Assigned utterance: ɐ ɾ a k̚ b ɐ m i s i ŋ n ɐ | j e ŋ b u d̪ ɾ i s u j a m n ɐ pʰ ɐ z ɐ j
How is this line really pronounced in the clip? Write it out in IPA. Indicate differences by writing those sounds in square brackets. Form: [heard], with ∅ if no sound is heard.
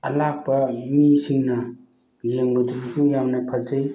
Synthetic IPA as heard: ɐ [l] a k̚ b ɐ m i s i ŋ n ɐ | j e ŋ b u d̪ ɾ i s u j a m n ɐ pʰ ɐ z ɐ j